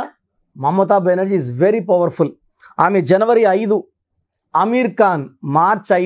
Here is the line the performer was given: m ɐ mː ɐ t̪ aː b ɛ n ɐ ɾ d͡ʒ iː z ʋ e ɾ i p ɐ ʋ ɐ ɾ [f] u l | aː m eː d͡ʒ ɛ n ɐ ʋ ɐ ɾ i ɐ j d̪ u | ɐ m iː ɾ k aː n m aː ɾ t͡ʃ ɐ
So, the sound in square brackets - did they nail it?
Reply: yes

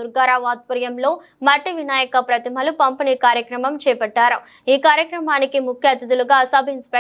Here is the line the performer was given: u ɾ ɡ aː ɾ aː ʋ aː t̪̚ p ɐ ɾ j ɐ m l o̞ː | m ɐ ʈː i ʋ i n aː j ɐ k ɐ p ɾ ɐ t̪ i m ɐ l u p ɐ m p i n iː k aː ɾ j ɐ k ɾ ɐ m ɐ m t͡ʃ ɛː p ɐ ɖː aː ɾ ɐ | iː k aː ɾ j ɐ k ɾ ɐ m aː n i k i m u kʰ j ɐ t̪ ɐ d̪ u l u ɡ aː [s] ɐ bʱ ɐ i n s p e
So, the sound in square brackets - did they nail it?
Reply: yes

